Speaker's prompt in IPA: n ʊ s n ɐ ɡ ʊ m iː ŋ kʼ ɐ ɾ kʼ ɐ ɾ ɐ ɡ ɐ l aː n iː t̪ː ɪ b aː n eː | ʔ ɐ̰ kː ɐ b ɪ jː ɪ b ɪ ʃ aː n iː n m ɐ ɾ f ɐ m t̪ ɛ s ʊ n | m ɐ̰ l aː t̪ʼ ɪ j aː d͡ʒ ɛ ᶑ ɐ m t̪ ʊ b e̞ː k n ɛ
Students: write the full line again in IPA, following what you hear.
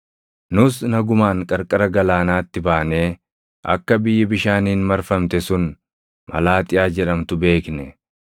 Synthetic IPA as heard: n ʊ s n ɐ ɡ ʊ m aː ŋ kʼ ɐ ɾ kʼ ɐ ɾ ɐ ɡ ɐ l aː n aː t̪ː ɪ b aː n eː | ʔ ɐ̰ kː ɐ b ɪ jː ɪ b ɪ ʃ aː n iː n m ɐ ɾ f ɐ m t̪ ɛ s ʊ n | m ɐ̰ l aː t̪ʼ ɪ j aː d͡ʒ ɛ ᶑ ɐ m t̪ ʊ b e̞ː k n ɛ